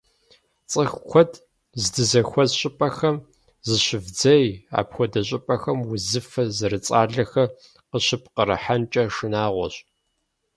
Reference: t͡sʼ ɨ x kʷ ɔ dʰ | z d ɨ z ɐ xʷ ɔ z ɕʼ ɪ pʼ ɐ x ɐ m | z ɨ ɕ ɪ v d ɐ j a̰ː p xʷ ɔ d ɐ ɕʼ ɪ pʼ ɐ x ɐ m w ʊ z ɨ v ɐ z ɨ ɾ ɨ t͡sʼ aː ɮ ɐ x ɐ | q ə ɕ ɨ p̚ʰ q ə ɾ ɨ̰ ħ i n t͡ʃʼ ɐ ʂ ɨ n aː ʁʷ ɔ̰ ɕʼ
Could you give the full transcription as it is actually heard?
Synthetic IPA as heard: t͡sʼ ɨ x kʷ ɔ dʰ | z d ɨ z ɐ xʷ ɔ z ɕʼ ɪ pʼ ɐ x ɐ m | z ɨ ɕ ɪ v d͡z ɐ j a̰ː p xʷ ɔ d ɐ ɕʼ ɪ pʼ ɐ x ɐ m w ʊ z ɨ f ɐ z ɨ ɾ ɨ t͡sʼ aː ɮ ɐ x ɐ | q ə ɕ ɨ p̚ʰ q ə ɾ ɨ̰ ħ a n t͡ʃʼ ɐ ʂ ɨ n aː ʁʷ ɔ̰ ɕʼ